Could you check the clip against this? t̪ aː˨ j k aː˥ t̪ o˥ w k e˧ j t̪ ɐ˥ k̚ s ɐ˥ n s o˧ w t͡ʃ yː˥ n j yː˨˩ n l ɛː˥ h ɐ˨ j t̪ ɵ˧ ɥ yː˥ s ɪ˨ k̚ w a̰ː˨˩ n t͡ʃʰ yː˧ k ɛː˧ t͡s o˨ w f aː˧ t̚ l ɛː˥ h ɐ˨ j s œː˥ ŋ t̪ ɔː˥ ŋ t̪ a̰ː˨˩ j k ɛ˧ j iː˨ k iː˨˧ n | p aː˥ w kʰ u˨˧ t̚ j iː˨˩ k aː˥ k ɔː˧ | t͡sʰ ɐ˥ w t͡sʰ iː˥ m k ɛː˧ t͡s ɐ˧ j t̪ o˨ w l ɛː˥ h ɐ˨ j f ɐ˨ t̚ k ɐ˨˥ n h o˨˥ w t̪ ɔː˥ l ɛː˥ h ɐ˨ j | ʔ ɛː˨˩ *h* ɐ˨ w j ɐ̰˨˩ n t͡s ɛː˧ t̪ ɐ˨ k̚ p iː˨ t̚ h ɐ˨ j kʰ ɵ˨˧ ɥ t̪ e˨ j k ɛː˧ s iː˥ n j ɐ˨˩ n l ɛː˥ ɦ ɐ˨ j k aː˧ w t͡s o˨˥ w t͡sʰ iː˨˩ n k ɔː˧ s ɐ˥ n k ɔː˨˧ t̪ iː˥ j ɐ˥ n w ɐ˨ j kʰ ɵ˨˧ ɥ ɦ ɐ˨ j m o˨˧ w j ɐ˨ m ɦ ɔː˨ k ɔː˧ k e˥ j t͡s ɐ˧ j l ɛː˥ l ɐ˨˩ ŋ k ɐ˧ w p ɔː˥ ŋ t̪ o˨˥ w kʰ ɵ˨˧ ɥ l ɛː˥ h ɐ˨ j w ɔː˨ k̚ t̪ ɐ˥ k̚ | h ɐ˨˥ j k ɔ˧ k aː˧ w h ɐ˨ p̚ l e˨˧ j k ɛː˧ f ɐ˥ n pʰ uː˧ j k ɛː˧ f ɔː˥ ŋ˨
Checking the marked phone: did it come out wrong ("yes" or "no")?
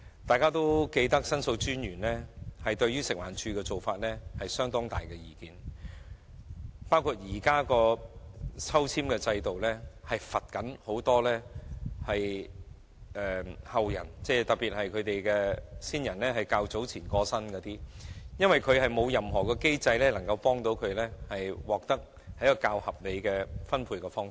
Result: no